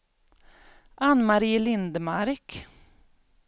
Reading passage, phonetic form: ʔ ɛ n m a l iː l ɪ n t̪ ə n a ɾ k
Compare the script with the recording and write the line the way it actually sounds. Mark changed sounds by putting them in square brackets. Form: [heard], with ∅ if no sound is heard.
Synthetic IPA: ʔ [a] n m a [ɾ] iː l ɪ n [d̪] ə [m] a ɾ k